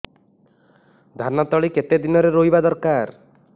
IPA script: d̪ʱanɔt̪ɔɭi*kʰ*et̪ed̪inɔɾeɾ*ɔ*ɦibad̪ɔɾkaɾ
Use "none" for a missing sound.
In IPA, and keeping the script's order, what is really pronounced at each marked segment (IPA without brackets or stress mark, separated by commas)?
k, o